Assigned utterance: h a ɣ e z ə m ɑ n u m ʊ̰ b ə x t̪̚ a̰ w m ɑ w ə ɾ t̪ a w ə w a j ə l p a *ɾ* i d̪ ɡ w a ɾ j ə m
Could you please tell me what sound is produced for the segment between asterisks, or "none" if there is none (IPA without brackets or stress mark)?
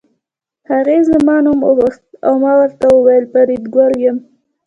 ɾ